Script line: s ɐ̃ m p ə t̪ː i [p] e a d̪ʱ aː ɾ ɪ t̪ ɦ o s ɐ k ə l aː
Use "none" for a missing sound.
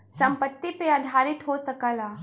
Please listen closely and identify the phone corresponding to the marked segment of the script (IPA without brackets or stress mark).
p